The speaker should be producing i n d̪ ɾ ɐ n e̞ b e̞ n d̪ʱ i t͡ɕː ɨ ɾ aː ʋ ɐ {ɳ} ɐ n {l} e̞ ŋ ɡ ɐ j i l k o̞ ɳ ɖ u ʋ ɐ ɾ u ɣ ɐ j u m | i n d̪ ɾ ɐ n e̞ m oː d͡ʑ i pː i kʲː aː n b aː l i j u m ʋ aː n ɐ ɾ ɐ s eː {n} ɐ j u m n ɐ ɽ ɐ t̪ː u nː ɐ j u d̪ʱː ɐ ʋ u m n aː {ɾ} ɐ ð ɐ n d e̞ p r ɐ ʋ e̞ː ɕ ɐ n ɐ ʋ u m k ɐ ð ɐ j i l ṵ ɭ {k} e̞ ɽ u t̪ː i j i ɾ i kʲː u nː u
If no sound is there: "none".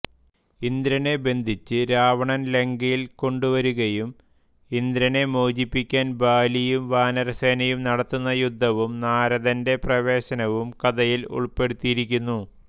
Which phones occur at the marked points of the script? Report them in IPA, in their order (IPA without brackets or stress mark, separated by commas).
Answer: ɳ, l, n, ɾ, p